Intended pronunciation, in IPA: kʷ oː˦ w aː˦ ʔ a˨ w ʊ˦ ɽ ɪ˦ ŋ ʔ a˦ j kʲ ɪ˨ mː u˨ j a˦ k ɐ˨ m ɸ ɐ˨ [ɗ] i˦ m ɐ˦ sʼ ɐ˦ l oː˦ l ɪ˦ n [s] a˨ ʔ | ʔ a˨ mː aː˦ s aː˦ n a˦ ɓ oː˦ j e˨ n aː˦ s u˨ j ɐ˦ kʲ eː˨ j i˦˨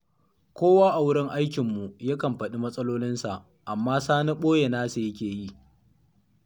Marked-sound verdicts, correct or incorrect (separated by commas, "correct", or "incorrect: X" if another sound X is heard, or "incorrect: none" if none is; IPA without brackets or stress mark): correct, correct